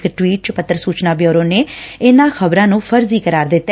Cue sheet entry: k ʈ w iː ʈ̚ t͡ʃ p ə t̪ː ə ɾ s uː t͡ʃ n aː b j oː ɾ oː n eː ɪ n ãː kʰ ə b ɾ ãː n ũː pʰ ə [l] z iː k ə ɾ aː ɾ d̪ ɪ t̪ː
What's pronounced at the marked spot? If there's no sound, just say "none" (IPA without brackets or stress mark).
ɾ